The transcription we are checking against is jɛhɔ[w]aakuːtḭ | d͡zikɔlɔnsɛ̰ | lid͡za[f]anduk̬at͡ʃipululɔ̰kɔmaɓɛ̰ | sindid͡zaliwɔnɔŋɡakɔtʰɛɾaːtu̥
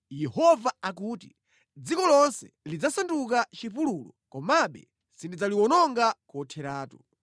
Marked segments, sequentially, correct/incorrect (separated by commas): incorrect, incorrect